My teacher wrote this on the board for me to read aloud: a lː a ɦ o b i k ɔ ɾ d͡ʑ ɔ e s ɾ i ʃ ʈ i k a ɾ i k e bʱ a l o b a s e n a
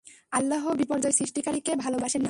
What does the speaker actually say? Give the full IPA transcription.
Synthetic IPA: a lː a ɦ o b i p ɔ ɾ d͡ʑ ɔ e s ɾ i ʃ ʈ i k a ɾ i k e bʱ a l o b a ʃ e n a